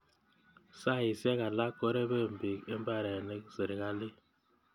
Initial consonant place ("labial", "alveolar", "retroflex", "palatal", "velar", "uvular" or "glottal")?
alveolar